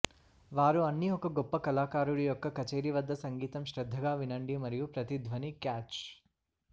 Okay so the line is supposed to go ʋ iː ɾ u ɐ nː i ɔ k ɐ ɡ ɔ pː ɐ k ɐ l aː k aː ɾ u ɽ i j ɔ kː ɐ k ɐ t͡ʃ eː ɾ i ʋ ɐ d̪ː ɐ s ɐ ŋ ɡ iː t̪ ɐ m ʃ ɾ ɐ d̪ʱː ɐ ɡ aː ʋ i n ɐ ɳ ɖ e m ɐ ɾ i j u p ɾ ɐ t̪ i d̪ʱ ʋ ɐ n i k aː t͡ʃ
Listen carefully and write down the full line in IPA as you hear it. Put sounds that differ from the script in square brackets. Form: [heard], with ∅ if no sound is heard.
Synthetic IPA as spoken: ʋ [aː] ɾ u ɐ nː i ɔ k ɐ ɡ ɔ pː ɐ k ɐ l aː k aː ɾ u ɽ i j ɔ kː ɐ k ɐ t͡ʃ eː ɾ i ʋ ɐ d̪ː ɐ s ɐ ŋ ɡ iː t̪ ɐ m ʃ ɾ ɐ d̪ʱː ɐ ɡ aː ʋ i n ɐ ɳ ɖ [i] m ɐ ɾ i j u p ɾ ɐ t̪ i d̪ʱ ʋ ɐ n i k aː t͡ʃ